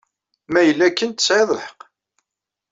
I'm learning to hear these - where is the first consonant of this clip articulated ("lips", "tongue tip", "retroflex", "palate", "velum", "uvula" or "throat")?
lips